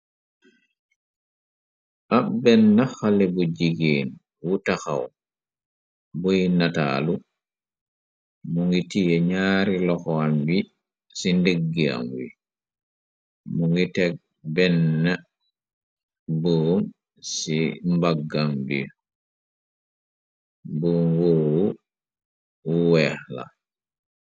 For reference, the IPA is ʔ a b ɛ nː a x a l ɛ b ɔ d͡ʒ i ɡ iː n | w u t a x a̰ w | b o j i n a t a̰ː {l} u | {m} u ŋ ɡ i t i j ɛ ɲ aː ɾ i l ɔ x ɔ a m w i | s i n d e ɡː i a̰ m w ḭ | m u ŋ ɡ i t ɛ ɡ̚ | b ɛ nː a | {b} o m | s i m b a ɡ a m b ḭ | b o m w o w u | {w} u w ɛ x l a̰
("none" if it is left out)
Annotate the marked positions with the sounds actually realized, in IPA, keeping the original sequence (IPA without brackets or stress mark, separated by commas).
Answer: l, m, b, w